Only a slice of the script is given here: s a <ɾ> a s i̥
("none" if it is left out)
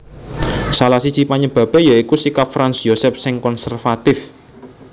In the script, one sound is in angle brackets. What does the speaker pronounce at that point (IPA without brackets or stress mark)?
l